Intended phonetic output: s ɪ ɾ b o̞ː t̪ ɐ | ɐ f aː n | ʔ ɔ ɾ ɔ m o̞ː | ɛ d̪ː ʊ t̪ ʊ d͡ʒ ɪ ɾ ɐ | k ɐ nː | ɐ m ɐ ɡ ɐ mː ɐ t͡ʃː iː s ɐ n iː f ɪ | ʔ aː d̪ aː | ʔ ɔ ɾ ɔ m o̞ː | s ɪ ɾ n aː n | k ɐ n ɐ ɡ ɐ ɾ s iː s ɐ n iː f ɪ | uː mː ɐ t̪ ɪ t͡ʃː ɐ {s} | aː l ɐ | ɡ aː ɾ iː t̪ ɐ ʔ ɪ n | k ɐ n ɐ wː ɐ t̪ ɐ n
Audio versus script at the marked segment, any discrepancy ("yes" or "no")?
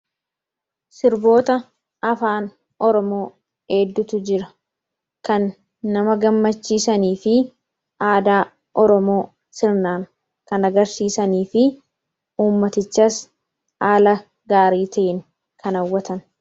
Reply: no